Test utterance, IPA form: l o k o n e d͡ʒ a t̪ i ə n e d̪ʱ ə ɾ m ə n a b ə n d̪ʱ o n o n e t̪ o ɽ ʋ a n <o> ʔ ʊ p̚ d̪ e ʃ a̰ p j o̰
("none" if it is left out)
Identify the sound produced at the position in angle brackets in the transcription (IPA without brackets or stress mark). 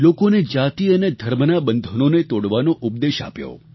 o